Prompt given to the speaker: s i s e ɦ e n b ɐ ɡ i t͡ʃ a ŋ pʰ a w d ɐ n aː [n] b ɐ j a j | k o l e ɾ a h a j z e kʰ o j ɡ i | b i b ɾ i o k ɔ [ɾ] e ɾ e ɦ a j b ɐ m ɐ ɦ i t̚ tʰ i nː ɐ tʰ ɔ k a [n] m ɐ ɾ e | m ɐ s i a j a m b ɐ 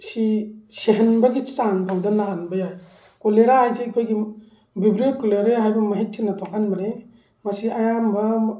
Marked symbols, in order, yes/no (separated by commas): yes, no, yes